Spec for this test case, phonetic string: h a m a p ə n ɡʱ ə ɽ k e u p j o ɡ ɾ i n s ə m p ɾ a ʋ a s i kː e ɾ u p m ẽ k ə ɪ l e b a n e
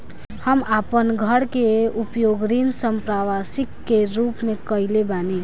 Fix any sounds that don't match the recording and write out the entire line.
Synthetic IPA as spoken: h ə m a p ə n ɡʱ ə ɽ k e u p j o ɡ ɾ i n s ə m p ɾ a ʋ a s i kː e ɾ u p m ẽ k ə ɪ l e b a n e